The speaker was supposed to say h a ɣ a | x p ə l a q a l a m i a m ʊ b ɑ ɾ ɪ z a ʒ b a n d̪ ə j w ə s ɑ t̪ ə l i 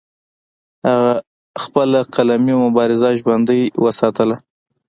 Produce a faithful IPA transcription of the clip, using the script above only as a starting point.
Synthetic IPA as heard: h a ɣ a | x p ə l a q a l a m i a m ʊ b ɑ ɾ ɪ z a ʒ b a n d̪ ə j w ə s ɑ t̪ ə l a